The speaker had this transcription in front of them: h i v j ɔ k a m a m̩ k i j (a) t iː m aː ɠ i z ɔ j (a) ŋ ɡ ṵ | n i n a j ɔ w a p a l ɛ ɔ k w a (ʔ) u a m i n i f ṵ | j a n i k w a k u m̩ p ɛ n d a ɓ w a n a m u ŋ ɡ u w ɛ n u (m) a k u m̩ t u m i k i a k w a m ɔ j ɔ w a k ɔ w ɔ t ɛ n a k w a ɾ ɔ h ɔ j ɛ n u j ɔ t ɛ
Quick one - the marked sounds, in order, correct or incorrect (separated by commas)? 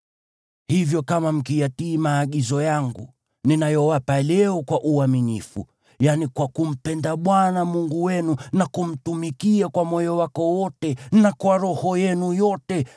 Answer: correct, correct, correct, incorrect